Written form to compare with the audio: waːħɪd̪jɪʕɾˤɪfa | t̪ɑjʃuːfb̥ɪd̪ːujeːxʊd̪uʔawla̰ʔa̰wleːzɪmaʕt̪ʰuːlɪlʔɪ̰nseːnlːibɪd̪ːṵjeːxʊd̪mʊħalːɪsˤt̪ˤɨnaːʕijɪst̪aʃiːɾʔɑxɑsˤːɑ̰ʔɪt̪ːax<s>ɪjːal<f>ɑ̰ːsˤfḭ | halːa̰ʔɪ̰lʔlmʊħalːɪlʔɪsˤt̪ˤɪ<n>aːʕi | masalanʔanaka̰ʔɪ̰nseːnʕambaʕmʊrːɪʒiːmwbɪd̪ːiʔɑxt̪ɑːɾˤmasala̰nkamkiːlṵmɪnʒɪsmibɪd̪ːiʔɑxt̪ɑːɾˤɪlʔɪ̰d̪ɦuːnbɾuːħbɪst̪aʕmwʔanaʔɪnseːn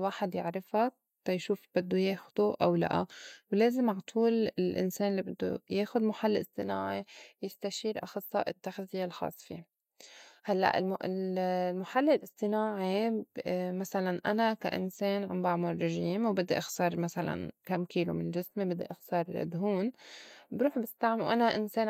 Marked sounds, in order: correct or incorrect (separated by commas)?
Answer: incorrect, incorrect, correct